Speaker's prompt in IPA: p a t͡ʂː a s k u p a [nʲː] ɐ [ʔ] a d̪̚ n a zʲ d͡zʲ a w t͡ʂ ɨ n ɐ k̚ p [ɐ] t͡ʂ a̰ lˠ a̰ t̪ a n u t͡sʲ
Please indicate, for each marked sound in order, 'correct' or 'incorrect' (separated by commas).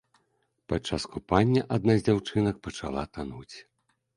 correct, correct, correct